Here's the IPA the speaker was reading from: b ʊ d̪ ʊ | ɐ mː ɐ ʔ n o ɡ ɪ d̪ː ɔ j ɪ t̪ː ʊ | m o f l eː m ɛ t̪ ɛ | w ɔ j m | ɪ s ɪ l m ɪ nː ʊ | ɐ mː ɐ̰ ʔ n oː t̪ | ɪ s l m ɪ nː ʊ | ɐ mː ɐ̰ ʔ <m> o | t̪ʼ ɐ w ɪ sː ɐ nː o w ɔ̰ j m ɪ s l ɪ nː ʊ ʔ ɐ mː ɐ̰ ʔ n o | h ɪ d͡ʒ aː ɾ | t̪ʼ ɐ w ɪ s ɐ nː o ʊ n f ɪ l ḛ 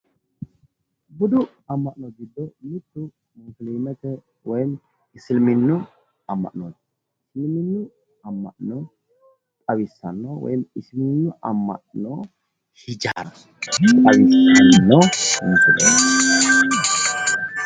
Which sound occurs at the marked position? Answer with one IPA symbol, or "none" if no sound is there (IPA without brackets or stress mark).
n